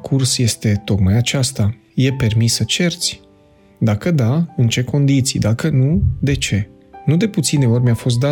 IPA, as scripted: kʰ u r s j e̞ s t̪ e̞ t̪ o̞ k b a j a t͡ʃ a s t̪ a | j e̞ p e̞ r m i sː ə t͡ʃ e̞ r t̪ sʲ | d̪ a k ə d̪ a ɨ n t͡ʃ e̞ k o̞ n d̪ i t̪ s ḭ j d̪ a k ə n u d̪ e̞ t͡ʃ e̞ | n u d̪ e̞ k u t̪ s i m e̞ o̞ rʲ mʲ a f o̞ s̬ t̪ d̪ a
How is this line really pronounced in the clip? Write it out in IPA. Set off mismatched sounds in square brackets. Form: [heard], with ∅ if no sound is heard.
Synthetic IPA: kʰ u r s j e̞ s t̪ e̞ t̪ o̞ k [m] a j a t͡ʃ a s t̪ a | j e̞ p e̞ r m i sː ə t͡ʃ e̞ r t̪ sʲ | d̪ a k ə d̪ a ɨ n t͡ʃ e̞ k o̞ n d̪ i t̪ s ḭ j d̪ a k ə n u d̪ e̞ t͡ʃ e̞ | n u d̪ e̞ [p] u t̪ s i [n] e̞ o̞ rʲ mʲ a f o̞ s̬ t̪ d̪ a